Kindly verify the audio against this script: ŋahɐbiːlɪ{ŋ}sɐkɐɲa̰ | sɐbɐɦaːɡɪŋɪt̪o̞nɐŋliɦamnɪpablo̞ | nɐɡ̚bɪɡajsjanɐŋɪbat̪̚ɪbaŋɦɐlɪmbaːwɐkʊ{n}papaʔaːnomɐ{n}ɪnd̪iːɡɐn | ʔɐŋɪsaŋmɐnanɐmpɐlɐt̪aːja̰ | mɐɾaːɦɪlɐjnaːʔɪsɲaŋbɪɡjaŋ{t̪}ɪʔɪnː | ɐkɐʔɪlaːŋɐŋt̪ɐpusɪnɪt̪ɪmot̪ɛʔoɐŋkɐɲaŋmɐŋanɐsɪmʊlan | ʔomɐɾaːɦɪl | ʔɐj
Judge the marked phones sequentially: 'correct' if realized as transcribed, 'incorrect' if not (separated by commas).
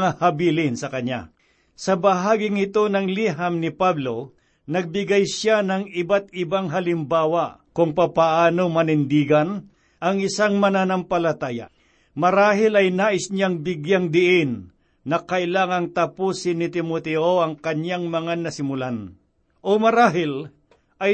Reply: incorrect, incorrect, correct, incorrect